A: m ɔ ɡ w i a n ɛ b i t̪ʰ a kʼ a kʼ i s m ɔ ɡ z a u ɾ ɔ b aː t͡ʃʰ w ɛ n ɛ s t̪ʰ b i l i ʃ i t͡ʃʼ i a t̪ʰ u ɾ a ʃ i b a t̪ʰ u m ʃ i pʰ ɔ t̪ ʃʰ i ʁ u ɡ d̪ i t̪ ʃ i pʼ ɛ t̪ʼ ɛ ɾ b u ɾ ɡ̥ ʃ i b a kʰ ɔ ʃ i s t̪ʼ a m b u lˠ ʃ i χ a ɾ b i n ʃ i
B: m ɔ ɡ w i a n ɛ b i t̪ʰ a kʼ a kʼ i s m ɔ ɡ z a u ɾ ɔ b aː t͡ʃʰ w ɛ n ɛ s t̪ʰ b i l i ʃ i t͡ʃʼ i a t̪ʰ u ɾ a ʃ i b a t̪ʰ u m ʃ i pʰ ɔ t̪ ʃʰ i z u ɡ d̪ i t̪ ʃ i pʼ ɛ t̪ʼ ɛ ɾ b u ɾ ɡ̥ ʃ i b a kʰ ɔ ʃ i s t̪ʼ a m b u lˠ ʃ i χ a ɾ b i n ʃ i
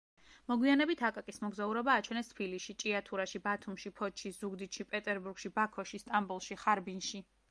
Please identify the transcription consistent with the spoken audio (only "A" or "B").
B